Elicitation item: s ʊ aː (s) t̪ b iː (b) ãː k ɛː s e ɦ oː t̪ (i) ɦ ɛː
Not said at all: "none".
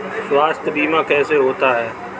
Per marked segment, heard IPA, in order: s, m, a

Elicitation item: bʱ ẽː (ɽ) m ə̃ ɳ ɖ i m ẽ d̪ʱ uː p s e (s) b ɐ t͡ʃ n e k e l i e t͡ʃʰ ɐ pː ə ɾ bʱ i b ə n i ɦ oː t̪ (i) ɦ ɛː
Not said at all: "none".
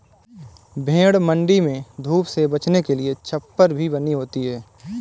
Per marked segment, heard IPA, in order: ɽ, none, i

